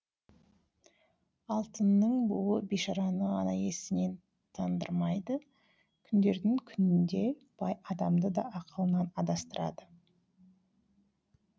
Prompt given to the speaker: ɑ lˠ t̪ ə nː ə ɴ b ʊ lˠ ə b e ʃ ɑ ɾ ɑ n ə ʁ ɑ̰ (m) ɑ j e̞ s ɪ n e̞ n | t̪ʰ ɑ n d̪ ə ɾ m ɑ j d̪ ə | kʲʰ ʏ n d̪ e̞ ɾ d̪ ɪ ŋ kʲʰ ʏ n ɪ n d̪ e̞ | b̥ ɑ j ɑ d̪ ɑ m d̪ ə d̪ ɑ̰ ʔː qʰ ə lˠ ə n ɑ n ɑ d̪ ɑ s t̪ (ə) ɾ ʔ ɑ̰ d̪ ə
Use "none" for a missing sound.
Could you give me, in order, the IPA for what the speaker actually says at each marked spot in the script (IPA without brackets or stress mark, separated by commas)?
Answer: n, ə